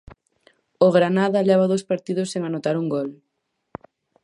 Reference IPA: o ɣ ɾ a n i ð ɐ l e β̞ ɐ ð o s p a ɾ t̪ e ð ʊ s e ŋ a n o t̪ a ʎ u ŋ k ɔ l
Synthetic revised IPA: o ɣ ɾ a n a ð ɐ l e β̞ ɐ ð o s p a ɾ t̪ i ð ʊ s e ŋ a n o t̪ a ɾ u ŋ ɡ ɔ l